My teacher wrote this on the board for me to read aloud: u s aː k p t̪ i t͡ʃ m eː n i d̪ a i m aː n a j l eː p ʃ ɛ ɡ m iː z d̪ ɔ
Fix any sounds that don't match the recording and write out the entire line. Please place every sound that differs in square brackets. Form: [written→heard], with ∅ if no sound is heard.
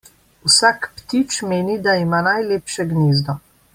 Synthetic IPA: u s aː k p t̪ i t͡ʃ m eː n i d̪ a i m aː n a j l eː p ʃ ɛ ɡ [m→n] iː z d̪ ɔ